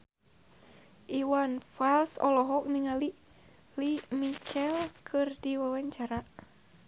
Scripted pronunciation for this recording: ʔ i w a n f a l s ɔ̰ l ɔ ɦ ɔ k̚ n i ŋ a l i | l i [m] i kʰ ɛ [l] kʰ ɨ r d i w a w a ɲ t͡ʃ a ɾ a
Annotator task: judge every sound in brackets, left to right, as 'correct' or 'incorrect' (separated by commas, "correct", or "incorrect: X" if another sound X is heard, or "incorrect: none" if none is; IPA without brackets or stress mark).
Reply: correct, correct